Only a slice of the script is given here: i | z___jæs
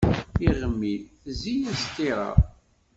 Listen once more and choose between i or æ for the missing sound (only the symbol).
i